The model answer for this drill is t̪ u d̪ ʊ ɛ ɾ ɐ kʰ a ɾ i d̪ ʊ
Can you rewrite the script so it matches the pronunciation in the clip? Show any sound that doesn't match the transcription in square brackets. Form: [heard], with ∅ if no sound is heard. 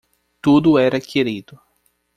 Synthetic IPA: t̪ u d̪ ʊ ɛ ɾ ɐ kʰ [e] ɾ i d̪ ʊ